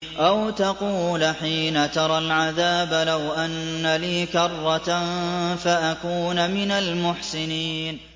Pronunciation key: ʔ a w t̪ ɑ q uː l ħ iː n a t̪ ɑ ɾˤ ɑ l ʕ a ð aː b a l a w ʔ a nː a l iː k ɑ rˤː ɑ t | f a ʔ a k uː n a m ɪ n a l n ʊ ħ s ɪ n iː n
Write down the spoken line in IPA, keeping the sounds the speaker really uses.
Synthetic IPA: ʔ a w t̪ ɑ q uː l ħ iː n a t̪ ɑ ɾˤ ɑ l ʕ a ð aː b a l a w ʔ a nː a l iː k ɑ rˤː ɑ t | f a ʔ a k uː n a m ɪ n a l m ʊ ħ s ɪ n iː n